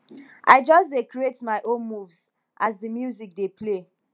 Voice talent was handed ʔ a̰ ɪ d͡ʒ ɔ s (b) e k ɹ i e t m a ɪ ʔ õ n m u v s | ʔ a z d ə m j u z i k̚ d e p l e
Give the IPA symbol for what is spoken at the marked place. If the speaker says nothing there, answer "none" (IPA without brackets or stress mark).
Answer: d